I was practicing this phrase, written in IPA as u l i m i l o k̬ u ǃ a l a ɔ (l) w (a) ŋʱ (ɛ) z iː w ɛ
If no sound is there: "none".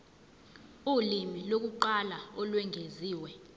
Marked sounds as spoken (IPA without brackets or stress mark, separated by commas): l, ɛ, e